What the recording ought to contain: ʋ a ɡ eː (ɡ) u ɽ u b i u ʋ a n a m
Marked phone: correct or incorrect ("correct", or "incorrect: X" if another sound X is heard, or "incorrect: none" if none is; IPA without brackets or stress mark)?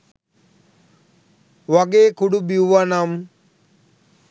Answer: incorrect: k